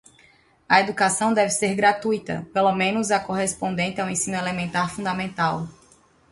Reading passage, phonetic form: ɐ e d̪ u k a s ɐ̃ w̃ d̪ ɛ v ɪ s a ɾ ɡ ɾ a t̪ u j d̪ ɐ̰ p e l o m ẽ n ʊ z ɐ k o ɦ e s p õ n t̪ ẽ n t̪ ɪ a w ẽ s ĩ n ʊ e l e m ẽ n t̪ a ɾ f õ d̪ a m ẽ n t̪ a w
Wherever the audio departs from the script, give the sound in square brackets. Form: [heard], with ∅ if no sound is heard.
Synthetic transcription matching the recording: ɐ e d̪ u k a s ɐ̃ w̃ d̪ ɛ v ɪ s [e] ɾ ɡ ɾ a t̪ u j [t̪] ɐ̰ p e l o m ẽ n ʊ z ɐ k o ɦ e s p õ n [d̪] ẽ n t̪ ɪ a w ẽ s ĩ n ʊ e l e m ẽ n t̪ a ɾ f [ũ] d̪ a m ẽ n t̪ a w